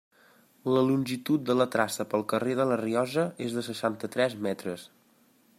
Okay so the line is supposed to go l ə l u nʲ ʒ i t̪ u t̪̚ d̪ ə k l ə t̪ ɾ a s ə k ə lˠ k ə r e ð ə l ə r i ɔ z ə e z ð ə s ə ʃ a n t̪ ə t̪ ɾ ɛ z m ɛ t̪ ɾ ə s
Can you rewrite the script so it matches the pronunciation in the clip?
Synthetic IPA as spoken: l ə l u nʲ ʒ i t̪ u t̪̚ d̪ ə l ə t̪ ɾ a s ə p ə lˠ k ə r e ð ə l ə r i ɔ z ə e z ð ə s ə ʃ a n t̪ ə t̪ ɾ ɛ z m ɛ t̪ ɾ ə s

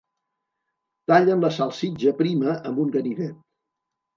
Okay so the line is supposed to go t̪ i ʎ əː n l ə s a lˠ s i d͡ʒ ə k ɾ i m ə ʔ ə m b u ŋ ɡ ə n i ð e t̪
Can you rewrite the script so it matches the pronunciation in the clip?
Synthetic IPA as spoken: t̪ a ʎ ə n l ə s a lˠ s i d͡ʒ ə p ɾ i m ə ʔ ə m b u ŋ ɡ ə n i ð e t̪

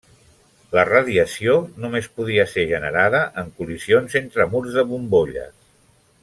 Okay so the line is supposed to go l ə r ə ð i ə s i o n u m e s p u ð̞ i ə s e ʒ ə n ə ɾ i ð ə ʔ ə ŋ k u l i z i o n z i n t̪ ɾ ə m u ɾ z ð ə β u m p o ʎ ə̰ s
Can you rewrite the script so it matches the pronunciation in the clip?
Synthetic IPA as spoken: l ə r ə ð i ə s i o n u m e s p u ð̞ i ə s e ʒ ə n ə ɾ a ð ə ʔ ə ŋ k u l i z i o n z e n t̪ ɾ ə m u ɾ z ð ə β u m b o ʎ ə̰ s

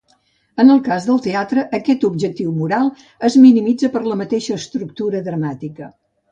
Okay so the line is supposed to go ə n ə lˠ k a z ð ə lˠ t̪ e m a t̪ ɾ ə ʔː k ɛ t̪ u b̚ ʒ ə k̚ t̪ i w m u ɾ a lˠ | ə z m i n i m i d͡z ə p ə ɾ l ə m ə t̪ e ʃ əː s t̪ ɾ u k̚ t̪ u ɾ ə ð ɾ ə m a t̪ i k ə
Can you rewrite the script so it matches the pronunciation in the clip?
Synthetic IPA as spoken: ə n ə lˠ k a z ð ə lˠ t̪ e a t̪ ɾ ə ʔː k ɛ t̪ u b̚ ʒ ə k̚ t̪ i w m u ɾ a lˠ | ə z m i n i m i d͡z ə p ə ɾ l ə m ə t̪ e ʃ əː s t̪ ɾ u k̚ t̪ u ɾ ə ð ɾ ə m a t̪ i k ə

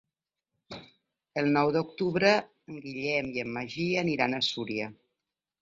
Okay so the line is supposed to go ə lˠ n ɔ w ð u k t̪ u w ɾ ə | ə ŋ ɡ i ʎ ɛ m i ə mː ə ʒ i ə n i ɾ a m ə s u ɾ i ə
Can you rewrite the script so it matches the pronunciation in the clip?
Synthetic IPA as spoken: ə lˠ n ɔ w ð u k t̪ u β ɾ ə | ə ŋ ɡ i ʎ ɛ m i ə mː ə ʒ i ə n i ɾ a n ə s u ɾ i ə

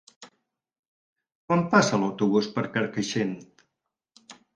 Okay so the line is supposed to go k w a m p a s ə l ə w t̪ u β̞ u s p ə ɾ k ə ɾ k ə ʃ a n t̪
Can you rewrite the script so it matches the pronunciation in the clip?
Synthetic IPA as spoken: k w a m p a s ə l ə w t̪ u β̞ u s p ə ɾ k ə ɾ k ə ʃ e n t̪

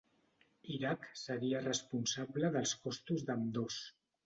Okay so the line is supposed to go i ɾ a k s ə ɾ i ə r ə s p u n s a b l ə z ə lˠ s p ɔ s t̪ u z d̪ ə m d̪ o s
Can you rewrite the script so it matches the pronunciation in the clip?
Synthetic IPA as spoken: i ɾ a k s ə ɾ i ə r ə s p u n s a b l ə ð ə lˠ s k ɔ s t̪ u z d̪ ə m d̪ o s

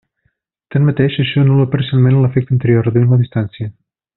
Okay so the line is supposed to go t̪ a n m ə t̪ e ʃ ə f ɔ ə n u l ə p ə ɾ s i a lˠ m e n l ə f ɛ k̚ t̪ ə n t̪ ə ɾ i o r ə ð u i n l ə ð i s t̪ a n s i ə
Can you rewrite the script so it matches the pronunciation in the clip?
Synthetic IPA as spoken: t̪ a n m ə t̪ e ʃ ə ʃ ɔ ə n u l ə p ə ɾ s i a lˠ m e n l ə f ɛ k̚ t̪ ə n t̪ ə ɾ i o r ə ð u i n l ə ð i s t̪ a n s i ə

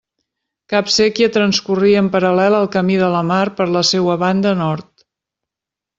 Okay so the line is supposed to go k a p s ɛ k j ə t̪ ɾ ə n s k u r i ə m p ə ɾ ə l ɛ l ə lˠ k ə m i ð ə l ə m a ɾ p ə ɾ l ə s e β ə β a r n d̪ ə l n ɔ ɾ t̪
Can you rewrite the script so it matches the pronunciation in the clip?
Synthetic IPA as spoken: k a p s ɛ k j ə t̪ ɾ ə n s k u r i ə m p ə ɾ ə l ɛ l ə lˠ k ə m i ð ə l ə m a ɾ p ə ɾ l ə s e w ə β a n d̪ ə n ɔ ɾ t̪

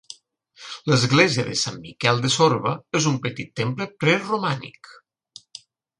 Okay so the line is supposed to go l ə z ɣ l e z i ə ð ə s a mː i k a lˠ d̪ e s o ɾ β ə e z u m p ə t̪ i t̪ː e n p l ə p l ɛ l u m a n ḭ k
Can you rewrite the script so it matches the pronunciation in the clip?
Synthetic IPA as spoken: l ə z ɣ l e z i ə ð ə s a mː i k ɛ lˠ d̪ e s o ɾ β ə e z u m p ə t̪ i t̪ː e m p l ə p ɾ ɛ r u m a n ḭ k

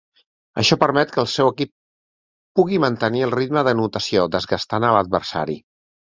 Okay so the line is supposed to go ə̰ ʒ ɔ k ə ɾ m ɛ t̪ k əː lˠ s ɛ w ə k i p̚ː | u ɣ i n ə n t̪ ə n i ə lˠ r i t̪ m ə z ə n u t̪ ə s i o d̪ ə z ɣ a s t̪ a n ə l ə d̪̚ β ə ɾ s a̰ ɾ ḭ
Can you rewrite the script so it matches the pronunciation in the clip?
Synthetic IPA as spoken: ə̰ ʃ ɔ p ə ɾ m ɛ t̪ k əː lˠ s ɛ w ə k i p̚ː | u ɣ i m ə n t̪ ə n i ə lˠ r i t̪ m ə ð ə n u t̪ ə s i o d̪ ə z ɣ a s t̪ a n ə l ə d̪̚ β ə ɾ s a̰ ɾ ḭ

